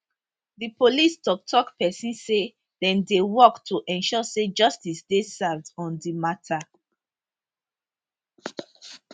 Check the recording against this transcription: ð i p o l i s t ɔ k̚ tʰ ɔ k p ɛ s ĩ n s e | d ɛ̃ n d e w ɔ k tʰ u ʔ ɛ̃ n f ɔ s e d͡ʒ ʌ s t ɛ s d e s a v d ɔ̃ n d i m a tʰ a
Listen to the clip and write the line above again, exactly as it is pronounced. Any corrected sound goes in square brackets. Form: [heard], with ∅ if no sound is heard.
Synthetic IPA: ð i p o l i s t ɔ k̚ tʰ ɔ k p ɛ s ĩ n s e | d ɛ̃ n d e w ɔ k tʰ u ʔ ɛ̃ n [ʃ] ɔ s e d͡ʒ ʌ s t [i] s d e s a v d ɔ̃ n d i m a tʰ a